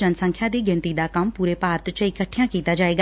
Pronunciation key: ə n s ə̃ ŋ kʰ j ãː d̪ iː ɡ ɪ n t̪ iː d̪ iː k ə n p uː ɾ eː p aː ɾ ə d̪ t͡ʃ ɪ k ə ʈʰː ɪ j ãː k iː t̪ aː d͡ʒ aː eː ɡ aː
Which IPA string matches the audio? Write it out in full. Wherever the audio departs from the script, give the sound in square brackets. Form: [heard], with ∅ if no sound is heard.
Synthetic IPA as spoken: ə n s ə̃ ŋ kʰ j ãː d̪ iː ɡ ɪ n t̪ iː d̪ [aː] k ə [m] p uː ɾ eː p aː ɾ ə [t̪] t͡ʃ ɪ k ə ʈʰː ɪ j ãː k iː t̪ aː d͡ʒ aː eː ɡ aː